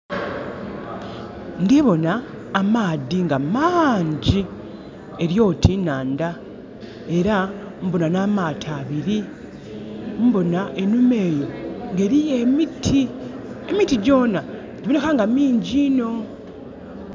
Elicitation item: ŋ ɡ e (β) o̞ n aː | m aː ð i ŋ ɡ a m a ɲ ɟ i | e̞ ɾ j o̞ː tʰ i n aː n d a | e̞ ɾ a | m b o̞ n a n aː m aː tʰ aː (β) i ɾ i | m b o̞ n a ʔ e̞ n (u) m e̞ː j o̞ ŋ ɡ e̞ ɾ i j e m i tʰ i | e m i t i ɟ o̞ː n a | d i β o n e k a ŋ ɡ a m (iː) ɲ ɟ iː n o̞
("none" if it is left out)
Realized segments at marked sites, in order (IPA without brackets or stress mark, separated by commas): β, β, u, iː